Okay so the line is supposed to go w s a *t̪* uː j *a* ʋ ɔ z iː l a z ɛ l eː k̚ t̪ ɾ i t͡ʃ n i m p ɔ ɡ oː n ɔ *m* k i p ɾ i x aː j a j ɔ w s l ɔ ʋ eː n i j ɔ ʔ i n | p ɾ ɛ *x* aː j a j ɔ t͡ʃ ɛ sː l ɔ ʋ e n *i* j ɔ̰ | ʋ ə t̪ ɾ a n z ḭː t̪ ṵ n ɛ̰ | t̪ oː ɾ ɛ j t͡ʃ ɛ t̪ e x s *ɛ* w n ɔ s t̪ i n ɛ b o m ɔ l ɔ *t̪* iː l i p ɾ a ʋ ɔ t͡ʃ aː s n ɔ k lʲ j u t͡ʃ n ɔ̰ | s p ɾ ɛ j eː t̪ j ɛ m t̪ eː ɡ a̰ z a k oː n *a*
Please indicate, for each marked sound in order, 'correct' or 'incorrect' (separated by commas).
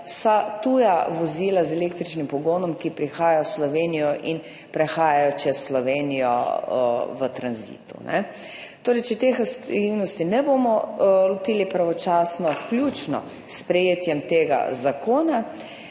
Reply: correct, correct, correct, correct, correct, incorrect, correct, correct